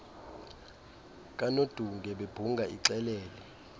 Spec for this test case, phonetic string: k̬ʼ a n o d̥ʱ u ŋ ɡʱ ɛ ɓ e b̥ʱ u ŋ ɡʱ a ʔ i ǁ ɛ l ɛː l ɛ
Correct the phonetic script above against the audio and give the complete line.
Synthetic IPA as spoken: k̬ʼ a n o d̥ʱ u ŋ ɡʱ ɛ ɓ e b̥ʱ u ŋ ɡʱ a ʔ i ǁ ɛ l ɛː l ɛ